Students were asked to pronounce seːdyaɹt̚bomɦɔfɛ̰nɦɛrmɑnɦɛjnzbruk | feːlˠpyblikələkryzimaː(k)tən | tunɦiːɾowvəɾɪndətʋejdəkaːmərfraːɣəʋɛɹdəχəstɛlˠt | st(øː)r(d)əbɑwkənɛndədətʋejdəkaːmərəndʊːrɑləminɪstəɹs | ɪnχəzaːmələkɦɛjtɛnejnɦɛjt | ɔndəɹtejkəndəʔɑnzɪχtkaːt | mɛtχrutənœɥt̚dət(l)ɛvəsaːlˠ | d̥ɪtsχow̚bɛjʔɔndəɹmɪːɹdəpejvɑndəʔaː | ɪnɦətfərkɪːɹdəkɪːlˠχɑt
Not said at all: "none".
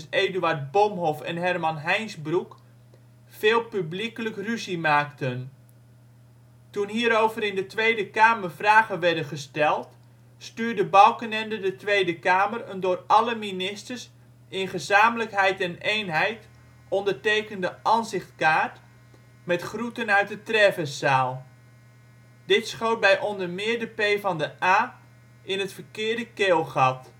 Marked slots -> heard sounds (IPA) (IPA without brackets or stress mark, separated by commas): k, yː, d, r